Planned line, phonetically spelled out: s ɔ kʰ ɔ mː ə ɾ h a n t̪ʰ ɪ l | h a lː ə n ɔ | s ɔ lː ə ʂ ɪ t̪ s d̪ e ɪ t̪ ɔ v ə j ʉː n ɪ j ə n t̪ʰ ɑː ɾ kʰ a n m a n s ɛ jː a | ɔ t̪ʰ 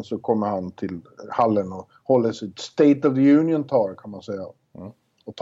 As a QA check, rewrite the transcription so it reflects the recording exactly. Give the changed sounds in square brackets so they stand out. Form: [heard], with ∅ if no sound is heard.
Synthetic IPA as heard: s ɔ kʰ ɔ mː ə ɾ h a n t̪ʰ ɪ l | h a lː ə n ɔ | [h] ɔ lː ə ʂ ɪ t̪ s [t̪] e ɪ t̪ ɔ v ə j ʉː n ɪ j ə n t̪ʰ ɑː ɾ kʰ a n m a n s ɛ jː a | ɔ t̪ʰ